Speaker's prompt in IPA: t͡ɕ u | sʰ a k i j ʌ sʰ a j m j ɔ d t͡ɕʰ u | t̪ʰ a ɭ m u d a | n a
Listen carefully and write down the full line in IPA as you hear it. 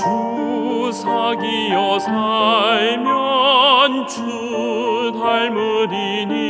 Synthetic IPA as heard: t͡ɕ u | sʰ a ɡ i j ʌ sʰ a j m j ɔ n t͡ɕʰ u | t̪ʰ a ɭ m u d i | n i